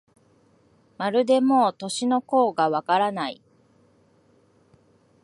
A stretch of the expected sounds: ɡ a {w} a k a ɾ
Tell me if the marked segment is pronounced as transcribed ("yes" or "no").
no